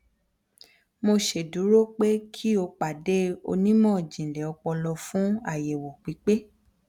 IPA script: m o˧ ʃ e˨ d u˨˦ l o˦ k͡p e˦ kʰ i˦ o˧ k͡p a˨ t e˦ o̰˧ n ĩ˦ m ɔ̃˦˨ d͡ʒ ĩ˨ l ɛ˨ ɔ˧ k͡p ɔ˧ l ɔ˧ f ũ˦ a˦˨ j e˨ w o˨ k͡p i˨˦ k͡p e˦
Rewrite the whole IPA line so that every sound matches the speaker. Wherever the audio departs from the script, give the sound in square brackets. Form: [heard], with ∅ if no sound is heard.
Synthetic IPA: m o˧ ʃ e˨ d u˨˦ [ɾ] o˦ k͡p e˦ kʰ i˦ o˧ k͡p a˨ [d] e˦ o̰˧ n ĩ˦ m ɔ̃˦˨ d͡ʒ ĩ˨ l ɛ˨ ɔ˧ k͡p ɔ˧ l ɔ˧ f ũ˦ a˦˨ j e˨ w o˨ k͡p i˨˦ k͡p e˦